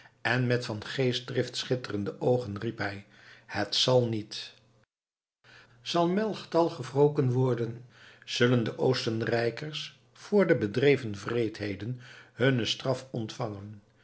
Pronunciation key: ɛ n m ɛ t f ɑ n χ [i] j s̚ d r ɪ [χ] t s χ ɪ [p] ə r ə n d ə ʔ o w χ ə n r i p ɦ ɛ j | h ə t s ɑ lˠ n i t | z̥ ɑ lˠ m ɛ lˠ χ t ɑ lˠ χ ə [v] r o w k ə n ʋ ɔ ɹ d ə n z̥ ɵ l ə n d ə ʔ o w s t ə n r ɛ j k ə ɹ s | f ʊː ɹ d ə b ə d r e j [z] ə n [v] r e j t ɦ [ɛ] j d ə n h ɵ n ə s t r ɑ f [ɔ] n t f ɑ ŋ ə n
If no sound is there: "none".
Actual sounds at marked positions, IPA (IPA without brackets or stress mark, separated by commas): e, f, t, v, v, v, e, ɔ